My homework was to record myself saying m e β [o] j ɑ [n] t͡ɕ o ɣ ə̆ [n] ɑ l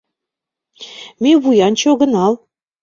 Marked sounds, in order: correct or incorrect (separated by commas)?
incorrect, correct, correct